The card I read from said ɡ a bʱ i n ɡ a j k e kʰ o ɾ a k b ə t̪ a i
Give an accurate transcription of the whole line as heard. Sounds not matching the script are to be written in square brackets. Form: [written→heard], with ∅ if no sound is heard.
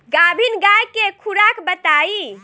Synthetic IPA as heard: ɡ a bʱ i n ɡ a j k e kʰ [o→u] ɾ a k b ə t̪ a i

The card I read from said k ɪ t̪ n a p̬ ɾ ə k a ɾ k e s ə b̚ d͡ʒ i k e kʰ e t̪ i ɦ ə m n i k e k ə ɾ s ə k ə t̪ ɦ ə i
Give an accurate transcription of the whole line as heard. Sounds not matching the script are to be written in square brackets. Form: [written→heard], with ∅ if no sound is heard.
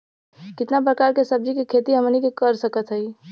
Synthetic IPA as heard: k ɪ t̪ n a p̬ ɾ ə k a ɾ k e s ə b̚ d͡ʒ i k e kʰ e t̪ i ɦ ə m n i k e k ə ɾ s ə k ə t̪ ɦ ə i

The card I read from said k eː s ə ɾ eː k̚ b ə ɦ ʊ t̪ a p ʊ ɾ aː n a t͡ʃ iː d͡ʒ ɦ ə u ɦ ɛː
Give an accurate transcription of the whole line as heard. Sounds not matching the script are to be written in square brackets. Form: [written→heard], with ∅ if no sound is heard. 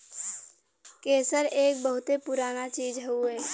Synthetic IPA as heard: k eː s ə ɾ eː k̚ b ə ɦ ʊ t̪ [a→e] p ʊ ɾ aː n a t͡ʃ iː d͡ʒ ɦ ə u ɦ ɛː

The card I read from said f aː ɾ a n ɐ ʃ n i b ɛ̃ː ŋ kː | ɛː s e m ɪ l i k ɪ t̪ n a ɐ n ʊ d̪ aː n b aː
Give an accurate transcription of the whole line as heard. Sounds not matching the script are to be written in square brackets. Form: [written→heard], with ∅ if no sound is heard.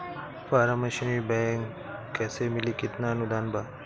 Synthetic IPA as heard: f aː ɾ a [n→m] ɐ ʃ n i b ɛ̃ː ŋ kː | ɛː s e m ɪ l i k ɪ t̪ n a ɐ n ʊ d̪ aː n b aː

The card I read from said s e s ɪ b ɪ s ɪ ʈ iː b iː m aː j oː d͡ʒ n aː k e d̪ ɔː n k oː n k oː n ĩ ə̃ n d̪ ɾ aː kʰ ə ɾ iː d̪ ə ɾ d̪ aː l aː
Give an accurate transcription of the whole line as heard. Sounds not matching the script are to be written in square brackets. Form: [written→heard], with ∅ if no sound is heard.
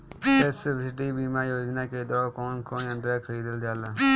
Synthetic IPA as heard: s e s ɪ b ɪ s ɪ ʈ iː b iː m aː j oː d͡ʒ n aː k e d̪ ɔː [n→∅] k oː n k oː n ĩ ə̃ n d̪ ɾ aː kʰ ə ɾ iː d̪ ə [ɾ→l] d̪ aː l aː

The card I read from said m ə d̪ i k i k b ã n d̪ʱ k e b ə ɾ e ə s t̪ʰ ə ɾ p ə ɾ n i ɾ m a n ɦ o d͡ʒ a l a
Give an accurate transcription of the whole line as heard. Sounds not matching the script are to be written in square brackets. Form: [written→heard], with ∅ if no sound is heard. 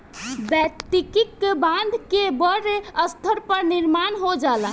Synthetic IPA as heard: [m→b] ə [d̪→t̪] i k i k b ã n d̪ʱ k e b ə ɾ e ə s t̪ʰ ə ɾ p ə ɾ n i ɾ m a n ɦ o d͡ʒ a l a

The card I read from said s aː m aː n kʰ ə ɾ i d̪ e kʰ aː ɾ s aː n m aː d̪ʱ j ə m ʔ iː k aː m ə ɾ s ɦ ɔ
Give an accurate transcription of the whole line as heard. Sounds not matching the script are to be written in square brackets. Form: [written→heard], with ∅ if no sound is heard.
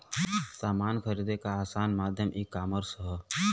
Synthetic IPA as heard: s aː m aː n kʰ ə ɾ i d̪ e [kʰ→k] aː [ɾ→∅] s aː n m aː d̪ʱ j ə m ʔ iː k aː m ə ɾ s ɦ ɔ

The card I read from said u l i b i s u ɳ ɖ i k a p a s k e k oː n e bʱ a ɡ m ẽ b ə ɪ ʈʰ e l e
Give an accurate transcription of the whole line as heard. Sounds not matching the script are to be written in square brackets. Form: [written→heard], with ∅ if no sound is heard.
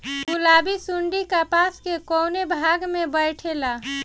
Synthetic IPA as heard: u l [i→a] b i s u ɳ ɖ i k a p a s k e k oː n e bʱ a ɡ m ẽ b ə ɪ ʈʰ e l [e→a]

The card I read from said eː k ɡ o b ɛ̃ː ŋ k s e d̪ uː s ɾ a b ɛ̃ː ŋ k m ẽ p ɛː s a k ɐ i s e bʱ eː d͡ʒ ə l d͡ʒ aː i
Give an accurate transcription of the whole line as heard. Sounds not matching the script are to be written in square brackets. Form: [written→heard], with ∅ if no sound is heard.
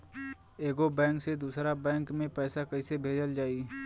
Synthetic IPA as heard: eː [k→∅] ɡ o b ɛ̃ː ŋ k s e d̪ uː s ɾ a b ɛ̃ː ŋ k m ẽ p ɛː s a k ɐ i s e bʱ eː d͡ʒ ə l d͡ʒ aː i

